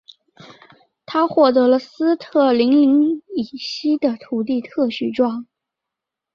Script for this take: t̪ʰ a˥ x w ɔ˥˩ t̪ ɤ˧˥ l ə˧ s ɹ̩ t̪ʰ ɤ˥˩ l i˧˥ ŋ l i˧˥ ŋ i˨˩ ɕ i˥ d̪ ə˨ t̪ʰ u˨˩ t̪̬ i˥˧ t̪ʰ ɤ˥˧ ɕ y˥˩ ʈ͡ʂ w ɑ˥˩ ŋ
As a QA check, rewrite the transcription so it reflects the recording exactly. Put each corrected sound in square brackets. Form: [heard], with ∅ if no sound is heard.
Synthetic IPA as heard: t̪ʰ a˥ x w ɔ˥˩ t̪ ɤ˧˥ l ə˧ s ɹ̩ t̪ʰ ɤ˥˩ l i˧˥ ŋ l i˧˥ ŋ i˨˩ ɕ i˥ d̪ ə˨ t̪ʰ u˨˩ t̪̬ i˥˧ t̪ʰ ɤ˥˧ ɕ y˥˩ ʈ͡ʂ w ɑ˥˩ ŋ